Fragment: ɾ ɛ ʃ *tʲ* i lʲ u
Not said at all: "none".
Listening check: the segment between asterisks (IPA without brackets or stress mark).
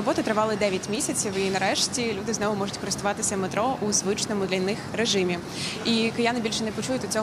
tʲ